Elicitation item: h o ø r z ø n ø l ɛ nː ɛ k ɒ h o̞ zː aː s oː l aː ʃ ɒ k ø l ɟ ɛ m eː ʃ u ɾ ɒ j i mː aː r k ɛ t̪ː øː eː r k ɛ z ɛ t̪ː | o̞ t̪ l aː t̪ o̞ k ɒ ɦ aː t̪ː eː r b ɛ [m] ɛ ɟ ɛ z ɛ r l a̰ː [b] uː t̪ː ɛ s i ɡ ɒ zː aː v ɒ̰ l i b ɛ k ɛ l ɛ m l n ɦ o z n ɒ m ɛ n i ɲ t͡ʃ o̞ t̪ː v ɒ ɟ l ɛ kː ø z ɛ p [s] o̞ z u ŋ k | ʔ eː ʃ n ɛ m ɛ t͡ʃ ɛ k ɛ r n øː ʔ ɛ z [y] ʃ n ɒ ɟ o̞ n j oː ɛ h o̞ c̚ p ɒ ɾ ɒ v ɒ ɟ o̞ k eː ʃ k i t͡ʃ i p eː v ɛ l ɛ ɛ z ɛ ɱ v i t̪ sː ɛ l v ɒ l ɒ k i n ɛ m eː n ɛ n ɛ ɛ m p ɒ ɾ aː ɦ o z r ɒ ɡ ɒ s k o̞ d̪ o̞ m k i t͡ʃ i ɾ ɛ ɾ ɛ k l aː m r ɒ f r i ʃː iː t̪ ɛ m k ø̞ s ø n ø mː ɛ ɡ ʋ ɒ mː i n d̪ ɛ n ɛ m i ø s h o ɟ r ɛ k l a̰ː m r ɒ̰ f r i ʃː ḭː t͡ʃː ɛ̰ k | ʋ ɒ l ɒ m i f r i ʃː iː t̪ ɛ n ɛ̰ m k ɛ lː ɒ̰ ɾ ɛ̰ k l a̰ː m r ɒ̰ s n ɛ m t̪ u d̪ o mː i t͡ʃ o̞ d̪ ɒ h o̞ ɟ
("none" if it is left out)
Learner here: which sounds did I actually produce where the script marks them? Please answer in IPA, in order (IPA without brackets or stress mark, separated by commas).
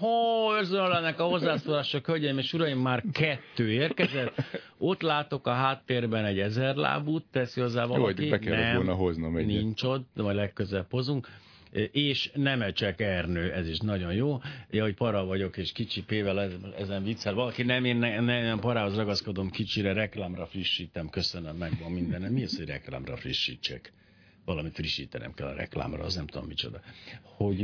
n, b, h, i